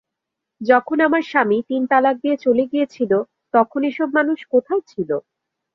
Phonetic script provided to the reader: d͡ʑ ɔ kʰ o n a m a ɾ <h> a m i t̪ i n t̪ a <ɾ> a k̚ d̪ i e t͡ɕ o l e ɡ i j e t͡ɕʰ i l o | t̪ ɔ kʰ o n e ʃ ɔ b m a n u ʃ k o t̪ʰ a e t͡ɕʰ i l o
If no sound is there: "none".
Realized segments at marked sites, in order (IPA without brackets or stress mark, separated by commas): ʃ, l